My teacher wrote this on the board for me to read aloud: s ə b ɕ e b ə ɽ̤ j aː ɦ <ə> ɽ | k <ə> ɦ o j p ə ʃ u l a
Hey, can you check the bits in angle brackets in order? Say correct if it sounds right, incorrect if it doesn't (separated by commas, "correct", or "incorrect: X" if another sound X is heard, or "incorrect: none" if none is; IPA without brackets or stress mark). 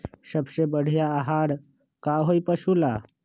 incorrect: a, incorrect: a